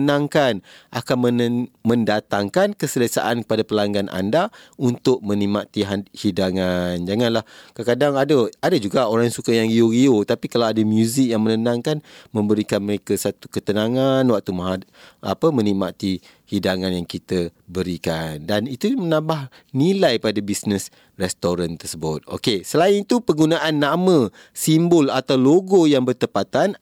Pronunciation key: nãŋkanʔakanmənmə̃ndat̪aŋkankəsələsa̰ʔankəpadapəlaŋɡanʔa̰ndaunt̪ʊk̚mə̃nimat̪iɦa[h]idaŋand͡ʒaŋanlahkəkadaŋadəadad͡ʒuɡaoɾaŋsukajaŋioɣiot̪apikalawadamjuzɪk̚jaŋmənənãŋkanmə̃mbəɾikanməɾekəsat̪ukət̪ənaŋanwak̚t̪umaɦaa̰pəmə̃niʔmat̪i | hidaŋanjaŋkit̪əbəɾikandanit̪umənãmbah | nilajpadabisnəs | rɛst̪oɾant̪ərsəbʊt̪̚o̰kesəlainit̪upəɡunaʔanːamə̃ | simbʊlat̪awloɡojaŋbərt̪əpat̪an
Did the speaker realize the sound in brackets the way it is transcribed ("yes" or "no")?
yes